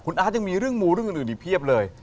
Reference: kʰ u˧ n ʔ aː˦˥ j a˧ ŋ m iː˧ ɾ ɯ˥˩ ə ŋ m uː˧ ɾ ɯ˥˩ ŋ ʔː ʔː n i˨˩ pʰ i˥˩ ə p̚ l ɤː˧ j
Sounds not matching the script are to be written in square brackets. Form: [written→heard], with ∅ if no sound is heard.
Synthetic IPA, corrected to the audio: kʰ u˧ n ʔ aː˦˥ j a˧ ŋ m iː˧ ɾ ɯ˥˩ ə ŋ m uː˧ ɾ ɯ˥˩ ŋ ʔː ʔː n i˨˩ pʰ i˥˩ ə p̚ l ɤː˧ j